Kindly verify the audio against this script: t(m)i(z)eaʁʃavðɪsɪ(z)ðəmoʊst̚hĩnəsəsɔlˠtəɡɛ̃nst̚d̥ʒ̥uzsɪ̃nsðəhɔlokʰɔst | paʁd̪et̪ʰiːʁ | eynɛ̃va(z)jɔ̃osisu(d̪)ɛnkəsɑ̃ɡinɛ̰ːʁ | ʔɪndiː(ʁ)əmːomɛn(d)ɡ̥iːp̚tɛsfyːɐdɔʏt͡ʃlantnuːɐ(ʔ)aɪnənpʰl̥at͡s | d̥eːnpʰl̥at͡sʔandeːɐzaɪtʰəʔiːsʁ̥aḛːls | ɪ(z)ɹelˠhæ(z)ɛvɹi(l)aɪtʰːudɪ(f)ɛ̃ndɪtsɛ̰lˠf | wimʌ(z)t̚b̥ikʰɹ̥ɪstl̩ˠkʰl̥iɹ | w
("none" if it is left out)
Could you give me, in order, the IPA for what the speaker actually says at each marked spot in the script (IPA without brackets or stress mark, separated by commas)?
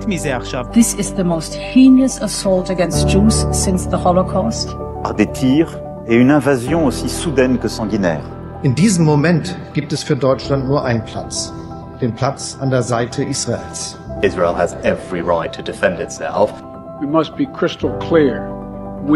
m, z, z, z, d̪, z, t, ʔ, z, z, ɹ, f, s